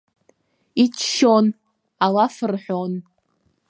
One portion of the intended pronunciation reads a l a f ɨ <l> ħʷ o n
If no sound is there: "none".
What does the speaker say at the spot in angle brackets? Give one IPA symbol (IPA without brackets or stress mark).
r